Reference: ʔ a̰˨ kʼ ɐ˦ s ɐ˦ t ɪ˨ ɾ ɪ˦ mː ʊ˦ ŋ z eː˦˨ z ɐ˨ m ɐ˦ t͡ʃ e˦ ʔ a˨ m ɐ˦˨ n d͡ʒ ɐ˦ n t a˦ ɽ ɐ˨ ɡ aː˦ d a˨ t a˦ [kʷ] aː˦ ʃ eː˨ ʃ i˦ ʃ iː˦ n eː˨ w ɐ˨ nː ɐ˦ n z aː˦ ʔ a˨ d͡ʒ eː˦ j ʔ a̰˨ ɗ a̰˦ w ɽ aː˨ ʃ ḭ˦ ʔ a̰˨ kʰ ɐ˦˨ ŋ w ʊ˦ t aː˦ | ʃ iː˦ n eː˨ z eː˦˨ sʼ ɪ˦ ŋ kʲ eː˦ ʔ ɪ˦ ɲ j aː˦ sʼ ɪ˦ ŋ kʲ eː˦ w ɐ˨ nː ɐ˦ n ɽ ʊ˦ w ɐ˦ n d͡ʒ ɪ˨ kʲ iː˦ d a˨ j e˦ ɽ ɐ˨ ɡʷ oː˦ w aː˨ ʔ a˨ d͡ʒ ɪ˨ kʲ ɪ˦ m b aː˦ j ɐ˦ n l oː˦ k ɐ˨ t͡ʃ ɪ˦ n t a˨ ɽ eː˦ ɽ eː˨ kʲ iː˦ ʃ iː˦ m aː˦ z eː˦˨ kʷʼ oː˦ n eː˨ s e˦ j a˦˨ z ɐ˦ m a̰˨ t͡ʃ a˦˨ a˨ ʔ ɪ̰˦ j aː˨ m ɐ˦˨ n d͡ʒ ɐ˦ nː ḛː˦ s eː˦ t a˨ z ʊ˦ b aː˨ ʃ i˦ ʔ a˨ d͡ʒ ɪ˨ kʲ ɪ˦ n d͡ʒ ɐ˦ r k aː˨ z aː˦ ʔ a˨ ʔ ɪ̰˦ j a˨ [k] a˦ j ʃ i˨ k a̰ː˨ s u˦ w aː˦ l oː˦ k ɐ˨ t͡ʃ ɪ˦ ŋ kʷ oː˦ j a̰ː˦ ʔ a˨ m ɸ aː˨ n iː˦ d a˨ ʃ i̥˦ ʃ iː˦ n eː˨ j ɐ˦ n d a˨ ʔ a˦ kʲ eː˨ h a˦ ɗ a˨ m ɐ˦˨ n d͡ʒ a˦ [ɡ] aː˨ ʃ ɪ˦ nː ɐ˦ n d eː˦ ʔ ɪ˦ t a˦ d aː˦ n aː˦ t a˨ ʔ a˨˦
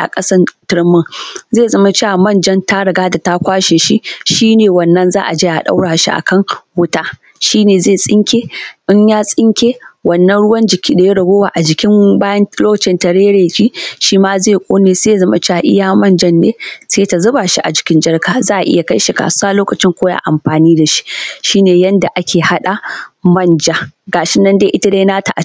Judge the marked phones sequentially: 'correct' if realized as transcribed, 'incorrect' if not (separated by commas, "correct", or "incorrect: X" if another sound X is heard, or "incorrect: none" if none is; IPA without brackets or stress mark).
correct, correct, correct